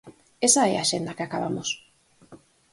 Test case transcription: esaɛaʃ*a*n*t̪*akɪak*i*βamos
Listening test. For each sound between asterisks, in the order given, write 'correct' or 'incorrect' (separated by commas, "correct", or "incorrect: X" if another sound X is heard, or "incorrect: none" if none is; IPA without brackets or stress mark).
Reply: incorrect: e, incorrect: d̪, incorrect: a